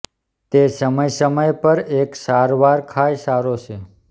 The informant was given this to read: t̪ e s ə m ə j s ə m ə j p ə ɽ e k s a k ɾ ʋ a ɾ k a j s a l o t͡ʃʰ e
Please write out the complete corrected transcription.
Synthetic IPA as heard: t̪ e s ə m ə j s ə m ə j p ə ɾ e k s a ɾ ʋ a ɾ kʰ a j s a ɾ o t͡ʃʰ e